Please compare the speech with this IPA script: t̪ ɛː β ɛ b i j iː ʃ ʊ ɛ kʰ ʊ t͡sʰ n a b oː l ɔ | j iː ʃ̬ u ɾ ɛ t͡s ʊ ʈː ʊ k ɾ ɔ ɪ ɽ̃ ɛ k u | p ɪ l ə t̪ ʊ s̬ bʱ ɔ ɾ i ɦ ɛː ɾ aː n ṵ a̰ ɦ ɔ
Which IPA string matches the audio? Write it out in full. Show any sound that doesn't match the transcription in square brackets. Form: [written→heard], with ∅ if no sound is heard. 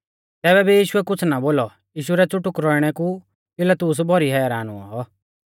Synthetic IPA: t̪ ɛː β ɛ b i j iː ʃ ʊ ɛ [kʰ→k] ʊ t͡sʰ n a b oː l ɔ | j iː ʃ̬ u ɾ ɛ t͡s ʊ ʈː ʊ k ɾ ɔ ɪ ɽ̃ ɛ k u | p ɪ l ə t̪ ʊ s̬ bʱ ɔ ɾ i ɦ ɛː ɾ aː n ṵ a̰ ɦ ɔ